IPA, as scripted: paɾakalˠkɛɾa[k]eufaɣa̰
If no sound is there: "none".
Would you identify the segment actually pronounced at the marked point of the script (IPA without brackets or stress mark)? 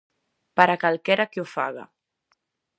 k